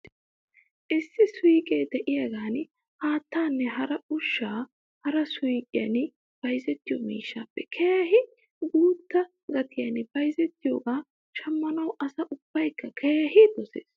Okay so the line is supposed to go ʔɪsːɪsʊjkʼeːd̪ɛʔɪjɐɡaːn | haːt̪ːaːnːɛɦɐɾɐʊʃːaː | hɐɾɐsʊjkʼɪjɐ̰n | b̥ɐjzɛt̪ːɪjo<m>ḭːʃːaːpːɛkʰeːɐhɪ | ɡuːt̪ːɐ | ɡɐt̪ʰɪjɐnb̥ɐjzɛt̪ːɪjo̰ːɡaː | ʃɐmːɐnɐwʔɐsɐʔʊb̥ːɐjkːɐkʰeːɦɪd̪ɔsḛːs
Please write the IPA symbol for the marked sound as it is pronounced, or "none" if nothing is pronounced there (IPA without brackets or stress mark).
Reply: m